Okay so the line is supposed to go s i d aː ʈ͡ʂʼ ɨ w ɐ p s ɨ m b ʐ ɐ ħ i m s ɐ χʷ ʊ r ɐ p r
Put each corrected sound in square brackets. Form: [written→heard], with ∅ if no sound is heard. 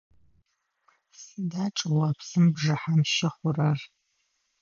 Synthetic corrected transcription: s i d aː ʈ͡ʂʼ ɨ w ɐ p s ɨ m b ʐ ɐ ħ [i→a] m [s→ʃ] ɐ χʷ ʊ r ɐ [p→∅] r